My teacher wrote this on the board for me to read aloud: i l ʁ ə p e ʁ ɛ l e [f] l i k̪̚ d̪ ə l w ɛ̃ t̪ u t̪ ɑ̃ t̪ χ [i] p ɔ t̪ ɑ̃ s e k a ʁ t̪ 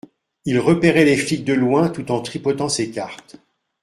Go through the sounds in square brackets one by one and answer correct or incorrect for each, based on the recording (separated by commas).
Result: correct, correct